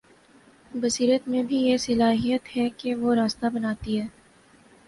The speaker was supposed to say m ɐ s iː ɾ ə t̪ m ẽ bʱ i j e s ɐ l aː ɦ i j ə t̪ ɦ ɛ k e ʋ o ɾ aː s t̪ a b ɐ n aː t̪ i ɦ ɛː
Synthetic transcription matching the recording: b ɐ s iː ɾ ə t̪ m ẽ bʱ i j e s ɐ l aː ɦ i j ə t̪ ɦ ɛ k e ʋ o ɾ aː s t̪ a b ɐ n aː t̪ i ɦ ɛː